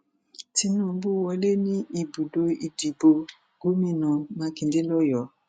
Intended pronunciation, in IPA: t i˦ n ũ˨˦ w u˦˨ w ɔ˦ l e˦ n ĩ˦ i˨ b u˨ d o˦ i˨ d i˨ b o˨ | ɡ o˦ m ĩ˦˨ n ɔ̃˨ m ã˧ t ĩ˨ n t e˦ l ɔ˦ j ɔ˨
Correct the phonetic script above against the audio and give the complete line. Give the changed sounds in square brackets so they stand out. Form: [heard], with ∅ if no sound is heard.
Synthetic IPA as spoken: t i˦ n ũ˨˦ [b] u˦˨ w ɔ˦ l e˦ n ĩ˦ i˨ b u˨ d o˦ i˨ d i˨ b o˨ | ɡ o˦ m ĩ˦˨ n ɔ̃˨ m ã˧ [k] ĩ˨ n [d] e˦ l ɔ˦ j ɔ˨